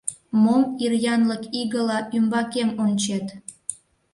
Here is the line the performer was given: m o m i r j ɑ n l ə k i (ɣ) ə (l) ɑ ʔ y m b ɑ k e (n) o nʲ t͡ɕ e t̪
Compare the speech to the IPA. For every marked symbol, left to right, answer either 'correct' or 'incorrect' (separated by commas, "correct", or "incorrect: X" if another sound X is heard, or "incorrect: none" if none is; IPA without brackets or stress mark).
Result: correct, correct, incorrect: m